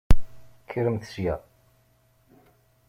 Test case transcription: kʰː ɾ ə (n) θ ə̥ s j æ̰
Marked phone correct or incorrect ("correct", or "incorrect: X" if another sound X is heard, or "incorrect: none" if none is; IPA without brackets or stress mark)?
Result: incorrect: m